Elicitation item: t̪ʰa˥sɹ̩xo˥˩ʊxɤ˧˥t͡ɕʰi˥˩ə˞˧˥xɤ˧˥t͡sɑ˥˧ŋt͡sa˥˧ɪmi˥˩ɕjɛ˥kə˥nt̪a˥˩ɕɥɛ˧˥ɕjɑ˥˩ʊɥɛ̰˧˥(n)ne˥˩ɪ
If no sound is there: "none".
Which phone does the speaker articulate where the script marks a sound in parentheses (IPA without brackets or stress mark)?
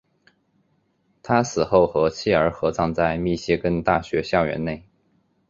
n